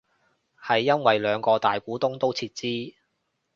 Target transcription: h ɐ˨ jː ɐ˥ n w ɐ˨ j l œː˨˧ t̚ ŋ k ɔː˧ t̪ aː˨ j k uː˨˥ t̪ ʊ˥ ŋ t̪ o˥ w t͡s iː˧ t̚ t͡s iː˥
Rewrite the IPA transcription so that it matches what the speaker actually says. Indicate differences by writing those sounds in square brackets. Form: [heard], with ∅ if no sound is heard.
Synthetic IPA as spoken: h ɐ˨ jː ɐ˥ n w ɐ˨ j l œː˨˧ [∅] ŋ k ɔː˧ t̪ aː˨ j k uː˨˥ t̪ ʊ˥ ŋ t̪ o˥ w [t͡sʰ] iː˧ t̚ t͡s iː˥

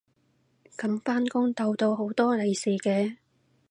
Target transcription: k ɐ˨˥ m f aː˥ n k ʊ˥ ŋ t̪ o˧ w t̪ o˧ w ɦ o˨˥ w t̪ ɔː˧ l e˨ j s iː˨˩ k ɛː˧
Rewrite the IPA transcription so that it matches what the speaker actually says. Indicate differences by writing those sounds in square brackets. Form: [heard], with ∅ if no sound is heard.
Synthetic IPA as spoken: k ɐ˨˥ m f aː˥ n k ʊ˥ ŋ t̪ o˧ w t̪ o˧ w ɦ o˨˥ w t̪ [ɔː˥] l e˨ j s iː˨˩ k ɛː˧

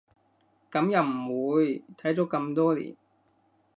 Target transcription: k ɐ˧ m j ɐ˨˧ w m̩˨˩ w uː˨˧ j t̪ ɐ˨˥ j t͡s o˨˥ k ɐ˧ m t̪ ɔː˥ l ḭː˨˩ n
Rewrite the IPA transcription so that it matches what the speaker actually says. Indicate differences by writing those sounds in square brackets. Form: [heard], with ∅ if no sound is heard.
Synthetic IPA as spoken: k [ɐ˨˧˥] m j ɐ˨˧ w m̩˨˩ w uː˨˧ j [t̪ʰ] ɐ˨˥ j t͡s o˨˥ k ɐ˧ m t̪ ɔː˥ l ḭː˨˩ n

